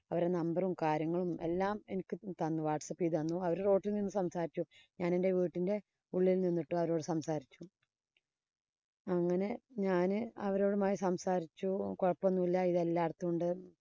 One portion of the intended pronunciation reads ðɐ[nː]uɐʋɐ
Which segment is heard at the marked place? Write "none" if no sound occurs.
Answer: nː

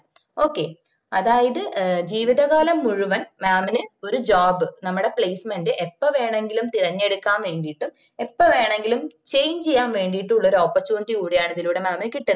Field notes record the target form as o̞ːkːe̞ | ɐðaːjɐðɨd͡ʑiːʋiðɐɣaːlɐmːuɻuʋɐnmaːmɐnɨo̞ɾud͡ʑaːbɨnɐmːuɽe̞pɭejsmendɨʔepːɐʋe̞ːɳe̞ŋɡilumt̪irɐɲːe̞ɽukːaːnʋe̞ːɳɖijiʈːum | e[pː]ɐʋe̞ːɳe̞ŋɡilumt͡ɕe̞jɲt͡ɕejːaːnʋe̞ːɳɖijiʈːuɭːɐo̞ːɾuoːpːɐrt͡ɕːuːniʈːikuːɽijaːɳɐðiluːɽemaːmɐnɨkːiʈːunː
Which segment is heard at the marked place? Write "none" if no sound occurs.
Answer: pː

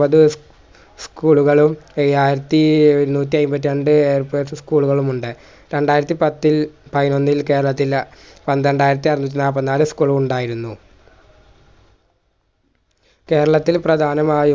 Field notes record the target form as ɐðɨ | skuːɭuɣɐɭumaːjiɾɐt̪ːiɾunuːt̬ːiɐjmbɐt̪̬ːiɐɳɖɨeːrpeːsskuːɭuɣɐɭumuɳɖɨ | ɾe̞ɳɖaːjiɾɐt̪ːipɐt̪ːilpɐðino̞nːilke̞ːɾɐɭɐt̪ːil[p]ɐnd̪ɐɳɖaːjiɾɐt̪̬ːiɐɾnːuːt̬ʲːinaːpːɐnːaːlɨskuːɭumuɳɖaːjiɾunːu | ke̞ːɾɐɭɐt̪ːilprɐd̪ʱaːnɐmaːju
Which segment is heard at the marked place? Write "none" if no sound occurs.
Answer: p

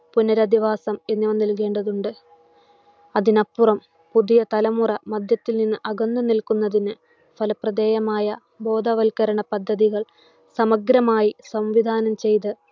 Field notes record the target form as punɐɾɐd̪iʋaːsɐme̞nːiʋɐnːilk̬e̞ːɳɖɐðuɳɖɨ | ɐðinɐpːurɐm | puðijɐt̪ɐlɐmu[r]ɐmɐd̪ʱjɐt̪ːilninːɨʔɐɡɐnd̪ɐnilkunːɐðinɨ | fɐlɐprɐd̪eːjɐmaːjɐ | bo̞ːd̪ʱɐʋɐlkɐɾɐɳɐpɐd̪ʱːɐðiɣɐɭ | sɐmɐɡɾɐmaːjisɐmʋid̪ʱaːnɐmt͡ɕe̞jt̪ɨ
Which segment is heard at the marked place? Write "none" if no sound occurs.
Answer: r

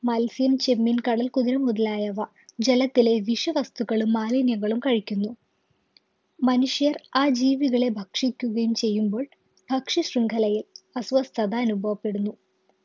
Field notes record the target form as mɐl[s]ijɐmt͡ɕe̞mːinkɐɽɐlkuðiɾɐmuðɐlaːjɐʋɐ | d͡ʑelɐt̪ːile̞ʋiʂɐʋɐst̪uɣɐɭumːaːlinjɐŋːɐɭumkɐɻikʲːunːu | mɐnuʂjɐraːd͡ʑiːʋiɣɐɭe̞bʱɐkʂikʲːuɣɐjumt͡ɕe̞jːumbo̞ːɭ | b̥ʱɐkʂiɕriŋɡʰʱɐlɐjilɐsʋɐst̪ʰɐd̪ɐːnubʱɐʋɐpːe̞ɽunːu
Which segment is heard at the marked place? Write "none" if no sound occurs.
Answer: s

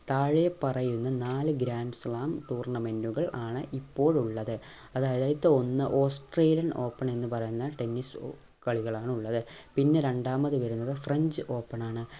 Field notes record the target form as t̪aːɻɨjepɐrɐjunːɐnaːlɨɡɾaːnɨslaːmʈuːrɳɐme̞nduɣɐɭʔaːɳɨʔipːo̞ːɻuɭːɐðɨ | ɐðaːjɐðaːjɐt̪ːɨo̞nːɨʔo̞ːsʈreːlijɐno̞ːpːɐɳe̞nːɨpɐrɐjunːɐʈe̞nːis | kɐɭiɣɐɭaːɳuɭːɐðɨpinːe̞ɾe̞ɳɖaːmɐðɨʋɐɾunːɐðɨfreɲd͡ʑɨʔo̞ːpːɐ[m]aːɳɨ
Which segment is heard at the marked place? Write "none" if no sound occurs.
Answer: ɳ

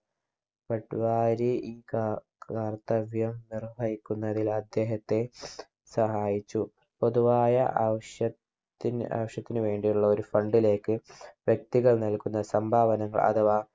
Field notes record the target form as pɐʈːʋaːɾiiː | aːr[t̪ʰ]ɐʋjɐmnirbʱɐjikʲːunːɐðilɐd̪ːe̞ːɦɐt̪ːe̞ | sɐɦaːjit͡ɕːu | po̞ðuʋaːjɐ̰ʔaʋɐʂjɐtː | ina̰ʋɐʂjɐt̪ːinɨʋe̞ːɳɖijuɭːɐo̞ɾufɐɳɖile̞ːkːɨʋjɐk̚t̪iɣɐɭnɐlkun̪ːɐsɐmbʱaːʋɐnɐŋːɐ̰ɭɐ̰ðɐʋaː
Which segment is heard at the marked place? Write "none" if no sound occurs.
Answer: t̪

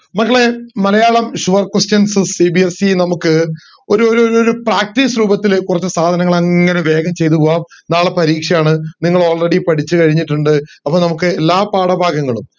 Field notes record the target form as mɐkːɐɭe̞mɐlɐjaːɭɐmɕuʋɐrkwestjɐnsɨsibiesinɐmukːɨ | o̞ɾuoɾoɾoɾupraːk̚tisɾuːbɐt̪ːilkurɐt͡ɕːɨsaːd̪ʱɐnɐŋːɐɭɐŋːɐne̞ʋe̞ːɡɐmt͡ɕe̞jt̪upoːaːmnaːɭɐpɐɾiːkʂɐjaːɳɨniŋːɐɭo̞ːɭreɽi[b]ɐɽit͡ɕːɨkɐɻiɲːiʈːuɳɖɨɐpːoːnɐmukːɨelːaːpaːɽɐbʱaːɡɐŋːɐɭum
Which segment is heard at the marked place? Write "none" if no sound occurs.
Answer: p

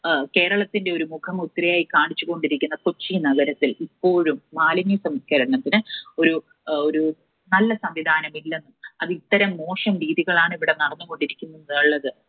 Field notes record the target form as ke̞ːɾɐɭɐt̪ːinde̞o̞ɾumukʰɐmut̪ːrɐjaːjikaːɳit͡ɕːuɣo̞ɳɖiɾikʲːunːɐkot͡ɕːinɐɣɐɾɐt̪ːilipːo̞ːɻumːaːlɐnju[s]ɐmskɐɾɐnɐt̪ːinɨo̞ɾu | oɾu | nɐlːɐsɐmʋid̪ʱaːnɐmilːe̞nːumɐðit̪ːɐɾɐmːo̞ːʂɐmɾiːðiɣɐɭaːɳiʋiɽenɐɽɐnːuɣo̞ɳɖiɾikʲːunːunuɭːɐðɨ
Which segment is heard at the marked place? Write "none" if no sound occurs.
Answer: s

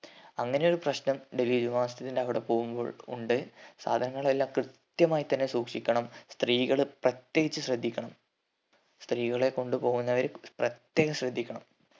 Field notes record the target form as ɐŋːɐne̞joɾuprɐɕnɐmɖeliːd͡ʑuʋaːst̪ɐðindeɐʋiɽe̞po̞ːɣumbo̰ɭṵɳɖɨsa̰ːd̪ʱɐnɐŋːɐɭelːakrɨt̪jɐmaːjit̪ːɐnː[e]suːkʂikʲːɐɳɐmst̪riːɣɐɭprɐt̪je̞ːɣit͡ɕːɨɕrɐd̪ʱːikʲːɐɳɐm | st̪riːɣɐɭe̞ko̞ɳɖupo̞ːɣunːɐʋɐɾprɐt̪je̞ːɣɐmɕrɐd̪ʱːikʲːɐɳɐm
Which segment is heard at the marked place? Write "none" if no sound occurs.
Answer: e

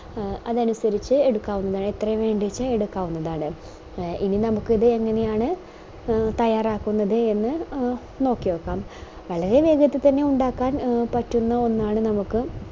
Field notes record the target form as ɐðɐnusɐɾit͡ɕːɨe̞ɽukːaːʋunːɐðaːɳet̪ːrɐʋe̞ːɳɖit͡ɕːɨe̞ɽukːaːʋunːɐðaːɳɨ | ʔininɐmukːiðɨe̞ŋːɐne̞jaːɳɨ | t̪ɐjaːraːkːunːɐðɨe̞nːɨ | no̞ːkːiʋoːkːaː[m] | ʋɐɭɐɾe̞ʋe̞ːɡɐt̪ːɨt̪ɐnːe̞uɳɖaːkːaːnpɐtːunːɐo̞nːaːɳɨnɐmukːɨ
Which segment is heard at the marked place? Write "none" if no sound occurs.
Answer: m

